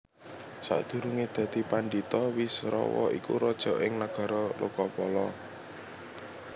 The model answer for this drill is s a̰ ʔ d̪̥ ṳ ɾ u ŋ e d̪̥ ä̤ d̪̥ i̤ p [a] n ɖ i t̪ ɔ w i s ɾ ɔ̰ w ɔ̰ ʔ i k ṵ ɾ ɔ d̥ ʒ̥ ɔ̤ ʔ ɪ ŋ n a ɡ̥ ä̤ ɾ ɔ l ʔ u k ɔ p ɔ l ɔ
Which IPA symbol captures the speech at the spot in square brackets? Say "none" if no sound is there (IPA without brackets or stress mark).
a